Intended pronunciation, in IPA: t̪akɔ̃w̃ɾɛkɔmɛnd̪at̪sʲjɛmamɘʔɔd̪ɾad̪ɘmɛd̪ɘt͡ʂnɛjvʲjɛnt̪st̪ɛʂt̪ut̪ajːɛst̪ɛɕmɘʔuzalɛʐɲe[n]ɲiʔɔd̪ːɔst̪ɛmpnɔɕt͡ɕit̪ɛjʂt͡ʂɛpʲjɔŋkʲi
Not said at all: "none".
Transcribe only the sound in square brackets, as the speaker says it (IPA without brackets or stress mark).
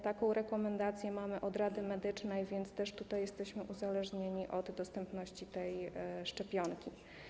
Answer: none